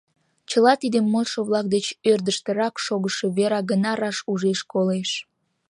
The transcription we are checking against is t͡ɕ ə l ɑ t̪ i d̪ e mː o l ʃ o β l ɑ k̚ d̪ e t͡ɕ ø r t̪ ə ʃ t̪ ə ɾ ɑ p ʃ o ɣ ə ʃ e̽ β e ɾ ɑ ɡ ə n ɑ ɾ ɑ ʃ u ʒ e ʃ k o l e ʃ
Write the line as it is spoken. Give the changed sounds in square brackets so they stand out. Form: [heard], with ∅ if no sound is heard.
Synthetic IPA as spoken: t͡ɕ ə l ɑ t̪ i d̪ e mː o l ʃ o β l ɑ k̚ d̪ e t͡ɕ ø r [d̪] ə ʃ t̪ ə ɾ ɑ [k] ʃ o ɣ ə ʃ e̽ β e ɾ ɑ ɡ ə n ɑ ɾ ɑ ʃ u ʒ e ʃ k o l e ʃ